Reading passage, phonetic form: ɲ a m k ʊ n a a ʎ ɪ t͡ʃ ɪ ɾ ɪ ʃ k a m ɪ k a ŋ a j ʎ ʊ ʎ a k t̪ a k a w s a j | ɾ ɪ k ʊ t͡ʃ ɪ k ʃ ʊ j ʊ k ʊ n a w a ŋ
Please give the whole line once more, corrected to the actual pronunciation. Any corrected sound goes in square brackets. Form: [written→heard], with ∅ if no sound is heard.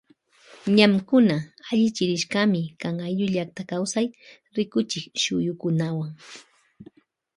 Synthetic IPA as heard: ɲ a m k ʊ n a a ʎ ɪ t͡ʃ ɪ ɾ ɪ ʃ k a m ɪ k a ŋ a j ʎ ʊ ʎ a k t̪ a k a w s a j | ɾ ɪ k ʊ t͡ʃ ɪ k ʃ ʊ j ʊ k ʊ n a w a ŋ